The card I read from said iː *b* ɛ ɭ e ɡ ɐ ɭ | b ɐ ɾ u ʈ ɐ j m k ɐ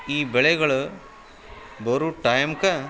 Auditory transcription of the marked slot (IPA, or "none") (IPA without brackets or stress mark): b